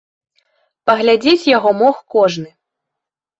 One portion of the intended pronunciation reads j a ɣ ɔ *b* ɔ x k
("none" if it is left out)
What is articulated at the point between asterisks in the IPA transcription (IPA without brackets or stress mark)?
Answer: m